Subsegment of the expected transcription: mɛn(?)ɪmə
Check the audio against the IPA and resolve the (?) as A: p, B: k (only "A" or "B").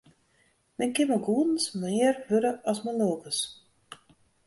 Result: B